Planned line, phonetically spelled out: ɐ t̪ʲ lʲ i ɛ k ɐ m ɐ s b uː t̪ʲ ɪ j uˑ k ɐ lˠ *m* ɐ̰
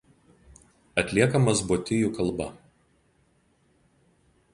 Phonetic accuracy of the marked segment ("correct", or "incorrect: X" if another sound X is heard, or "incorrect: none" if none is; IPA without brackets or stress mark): incorrect: b